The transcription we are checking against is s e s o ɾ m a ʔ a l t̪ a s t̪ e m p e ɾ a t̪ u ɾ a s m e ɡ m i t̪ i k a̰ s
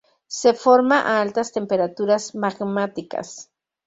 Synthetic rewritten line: s e f o ɾ m a ʔ a l t̪ a s t̪ e m p e ɾ a t̪ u ɾ a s m a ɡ m a t̪ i k a̰ s